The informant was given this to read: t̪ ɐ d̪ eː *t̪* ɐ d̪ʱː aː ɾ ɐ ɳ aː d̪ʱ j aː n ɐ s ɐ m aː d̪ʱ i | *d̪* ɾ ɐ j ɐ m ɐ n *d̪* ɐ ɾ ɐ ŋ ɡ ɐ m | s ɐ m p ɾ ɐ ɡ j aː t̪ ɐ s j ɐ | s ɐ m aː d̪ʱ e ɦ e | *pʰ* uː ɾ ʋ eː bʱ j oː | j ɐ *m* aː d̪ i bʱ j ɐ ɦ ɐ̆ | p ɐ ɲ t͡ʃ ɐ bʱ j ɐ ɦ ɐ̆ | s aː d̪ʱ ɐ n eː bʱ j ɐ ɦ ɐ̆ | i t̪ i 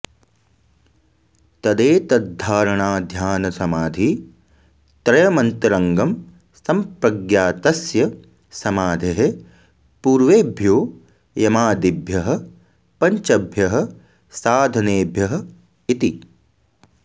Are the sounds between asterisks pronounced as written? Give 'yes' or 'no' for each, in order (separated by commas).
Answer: yes, no, no, no, yes